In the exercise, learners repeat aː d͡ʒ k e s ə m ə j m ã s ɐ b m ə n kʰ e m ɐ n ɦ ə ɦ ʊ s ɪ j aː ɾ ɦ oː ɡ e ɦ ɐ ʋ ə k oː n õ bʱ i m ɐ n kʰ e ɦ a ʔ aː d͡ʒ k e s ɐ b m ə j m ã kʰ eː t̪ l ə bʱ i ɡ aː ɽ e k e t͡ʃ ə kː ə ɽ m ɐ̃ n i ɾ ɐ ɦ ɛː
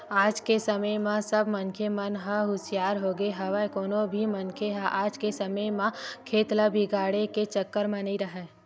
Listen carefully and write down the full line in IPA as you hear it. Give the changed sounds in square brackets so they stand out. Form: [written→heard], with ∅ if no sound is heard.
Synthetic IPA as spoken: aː d͡ʒ k e s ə m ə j m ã s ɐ b m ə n kʰ e m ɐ n ɦ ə ɦ ʊ s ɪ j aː ɾ ɦ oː ɡ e ɦ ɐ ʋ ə k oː n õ bʱ i m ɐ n kʰ e ɦ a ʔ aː d͡ʒ k e s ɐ [b→∅] m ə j m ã kʰ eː t̪ l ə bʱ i ɡ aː ɽ e k e t͡ʃ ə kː ə [ɽ→ɾ] m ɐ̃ n i ɾ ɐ ɦ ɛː